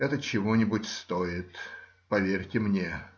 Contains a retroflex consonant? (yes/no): no